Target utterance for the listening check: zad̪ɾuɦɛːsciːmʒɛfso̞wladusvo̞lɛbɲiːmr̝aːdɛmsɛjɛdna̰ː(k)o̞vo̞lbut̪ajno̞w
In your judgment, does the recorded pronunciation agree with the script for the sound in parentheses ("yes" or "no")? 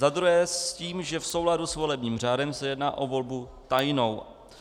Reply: no